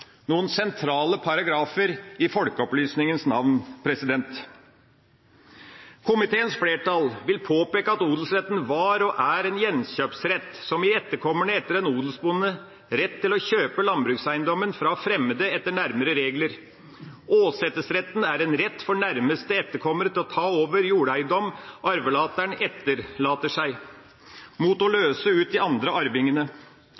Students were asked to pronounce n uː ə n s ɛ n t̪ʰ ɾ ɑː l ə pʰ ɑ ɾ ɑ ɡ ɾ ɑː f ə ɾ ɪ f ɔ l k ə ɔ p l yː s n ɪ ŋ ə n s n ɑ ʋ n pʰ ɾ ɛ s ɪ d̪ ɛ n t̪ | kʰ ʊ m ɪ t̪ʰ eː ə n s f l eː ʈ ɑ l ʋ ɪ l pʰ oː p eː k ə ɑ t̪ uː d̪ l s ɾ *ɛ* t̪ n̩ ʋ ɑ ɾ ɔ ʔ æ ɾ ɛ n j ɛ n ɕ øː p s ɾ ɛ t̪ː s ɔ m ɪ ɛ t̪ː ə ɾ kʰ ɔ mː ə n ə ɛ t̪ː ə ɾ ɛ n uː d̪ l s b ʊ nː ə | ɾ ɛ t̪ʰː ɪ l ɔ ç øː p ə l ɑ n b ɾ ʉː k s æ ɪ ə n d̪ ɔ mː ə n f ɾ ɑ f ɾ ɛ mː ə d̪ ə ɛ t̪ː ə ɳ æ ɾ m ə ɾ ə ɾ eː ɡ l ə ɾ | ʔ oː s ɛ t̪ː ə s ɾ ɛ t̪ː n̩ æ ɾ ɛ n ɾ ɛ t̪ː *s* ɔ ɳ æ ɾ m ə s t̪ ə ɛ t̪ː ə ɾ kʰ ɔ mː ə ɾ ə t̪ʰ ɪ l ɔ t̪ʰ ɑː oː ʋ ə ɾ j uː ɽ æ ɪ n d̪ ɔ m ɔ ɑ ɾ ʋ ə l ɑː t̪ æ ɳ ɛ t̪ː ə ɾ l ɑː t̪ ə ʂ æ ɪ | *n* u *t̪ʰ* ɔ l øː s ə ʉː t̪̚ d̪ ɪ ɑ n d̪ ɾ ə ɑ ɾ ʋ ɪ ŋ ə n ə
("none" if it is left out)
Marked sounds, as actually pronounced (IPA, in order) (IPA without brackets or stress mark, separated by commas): ɛ, f, m, t̪